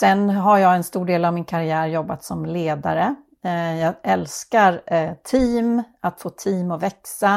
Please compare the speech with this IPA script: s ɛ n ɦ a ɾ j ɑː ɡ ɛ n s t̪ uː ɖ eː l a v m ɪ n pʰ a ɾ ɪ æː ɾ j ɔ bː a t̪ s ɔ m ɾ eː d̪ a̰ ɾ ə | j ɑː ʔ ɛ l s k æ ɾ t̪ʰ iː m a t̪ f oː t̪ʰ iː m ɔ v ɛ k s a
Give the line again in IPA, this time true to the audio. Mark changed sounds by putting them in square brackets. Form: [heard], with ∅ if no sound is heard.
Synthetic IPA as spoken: s ɛ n ɦ a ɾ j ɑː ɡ ɛ n s t̪ uː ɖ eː l a v m ɪ n [kʰ] a ɾ ɪ æː ɾ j ɔ bː a t̪ s ɔ m [l] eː d̪ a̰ ɾ ə | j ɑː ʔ ɛ l s k [a] ɾ t̪ʰ iː m a t̪ f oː t̪ʰ iː m ɔ v ɛ k s a